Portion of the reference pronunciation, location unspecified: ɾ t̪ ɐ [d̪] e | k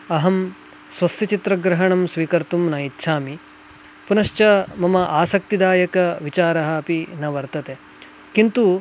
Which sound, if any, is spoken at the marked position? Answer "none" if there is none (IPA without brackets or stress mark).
t̪